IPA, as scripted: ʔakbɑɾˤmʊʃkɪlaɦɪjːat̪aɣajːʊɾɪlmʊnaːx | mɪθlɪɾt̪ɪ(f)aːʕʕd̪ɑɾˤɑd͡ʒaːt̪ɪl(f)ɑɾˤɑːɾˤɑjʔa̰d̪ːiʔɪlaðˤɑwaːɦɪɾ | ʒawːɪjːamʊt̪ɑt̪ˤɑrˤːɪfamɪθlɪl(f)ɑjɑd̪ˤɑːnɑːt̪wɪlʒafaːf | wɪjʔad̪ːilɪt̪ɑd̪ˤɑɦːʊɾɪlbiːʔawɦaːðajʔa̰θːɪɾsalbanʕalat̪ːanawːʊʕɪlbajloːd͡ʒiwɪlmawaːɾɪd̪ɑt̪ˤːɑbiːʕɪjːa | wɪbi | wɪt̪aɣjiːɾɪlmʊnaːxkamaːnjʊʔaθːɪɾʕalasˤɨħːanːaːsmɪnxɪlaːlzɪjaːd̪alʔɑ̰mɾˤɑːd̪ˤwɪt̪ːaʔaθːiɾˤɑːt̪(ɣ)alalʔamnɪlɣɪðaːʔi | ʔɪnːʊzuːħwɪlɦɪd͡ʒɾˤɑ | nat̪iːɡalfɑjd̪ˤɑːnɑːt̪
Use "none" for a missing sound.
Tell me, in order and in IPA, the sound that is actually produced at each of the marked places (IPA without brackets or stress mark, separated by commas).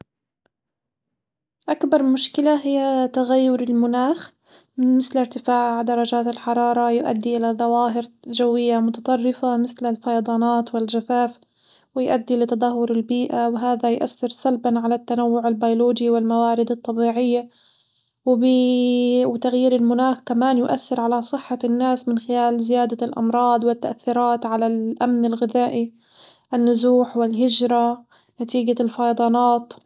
f, ħ, f, ʕ